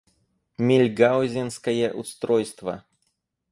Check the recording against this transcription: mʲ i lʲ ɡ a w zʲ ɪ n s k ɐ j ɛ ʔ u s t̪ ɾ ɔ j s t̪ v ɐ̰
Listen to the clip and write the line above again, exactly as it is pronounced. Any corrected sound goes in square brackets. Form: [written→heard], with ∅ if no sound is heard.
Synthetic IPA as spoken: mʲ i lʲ ɡ a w zʲ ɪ n s k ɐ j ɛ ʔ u s t̪ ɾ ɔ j s t̪ v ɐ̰